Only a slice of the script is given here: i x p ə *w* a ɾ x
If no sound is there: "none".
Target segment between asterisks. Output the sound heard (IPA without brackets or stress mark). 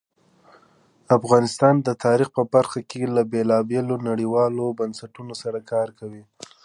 b